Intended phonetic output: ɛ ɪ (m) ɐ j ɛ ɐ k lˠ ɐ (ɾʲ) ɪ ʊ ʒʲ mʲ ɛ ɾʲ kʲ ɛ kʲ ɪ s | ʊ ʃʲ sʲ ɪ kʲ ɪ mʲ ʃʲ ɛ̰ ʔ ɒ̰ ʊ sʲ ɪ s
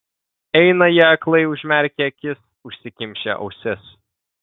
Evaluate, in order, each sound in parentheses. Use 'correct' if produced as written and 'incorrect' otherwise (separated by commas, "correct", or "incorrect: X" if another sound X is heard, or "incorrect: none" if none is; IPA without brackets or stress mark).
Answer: incorrect: n, incorrect: none